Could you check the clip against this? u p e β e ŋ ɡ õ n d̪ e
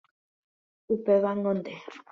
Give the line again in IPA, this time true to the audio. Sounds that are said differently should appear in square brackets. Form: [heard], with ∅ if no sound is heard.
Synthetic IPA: u p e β [a] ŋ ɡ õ n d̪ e